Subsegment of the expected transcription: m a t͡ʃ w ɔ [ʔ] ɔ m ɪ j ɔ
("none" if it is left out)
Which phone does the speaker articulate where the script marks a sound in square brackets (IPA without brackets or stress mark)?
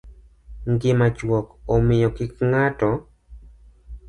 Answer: k